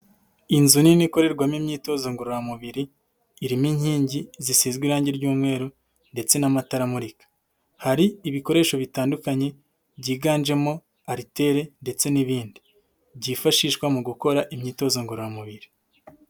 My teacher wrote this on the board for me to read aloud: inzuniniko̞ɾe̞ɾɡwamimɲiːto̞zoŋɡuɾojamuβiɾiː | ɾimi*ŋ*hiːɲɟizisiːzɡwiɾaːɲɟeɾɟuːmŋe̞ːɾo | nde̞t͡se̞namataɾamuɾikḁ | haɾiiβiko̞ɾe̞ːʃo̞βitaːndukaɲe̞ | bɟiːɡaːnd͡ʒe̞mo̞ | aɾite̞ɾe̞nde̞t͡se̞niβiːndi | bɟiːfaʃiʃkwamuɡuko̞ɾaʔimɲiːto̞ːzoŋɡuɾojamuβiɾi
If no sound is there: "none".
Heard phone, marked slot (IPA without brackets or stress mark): ɲ